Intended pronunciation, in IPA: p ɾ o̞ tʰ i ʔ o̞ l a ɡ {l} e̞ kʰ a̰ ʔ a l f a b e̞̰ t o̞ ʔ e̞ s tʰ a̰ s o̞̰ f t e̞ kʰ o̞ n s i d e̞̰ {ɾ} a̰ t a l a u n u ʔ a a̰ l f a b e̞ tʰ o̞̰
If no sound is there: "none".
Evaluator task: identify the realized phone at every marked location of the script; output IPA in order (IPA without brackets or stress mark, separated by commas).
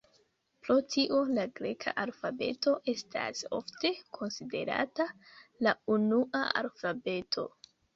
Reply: ɾ, ɾ